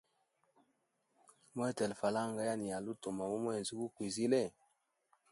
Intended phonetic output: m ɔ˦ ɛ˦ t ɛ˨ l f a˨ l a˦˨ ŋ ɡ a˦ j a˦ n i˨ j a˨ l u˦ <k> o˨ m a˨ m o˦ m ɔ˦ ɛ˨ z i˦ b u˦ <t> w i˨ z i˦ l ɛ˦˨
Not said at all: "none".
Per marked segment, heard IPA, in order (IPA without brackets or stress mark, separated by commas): t, k